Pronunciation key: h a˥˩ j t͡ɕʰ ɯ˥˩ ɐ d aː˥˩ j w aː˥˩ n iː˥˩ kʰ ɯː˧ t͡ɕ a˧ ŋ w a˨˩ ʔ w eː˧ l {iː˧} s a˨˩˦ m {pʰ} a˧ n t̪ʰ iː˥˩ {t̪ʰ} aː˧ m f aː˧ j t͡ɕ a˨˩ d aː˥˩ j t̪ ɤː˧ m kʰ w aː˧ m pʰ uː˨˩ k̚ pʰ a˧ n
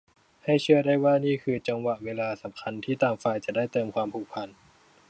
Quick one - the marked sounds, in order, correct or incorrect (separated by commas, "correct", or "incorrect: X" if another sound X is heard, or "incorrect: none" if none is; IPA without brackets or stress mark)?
incorrect: aː˧, incorrect: kʰ, incorrect: t̪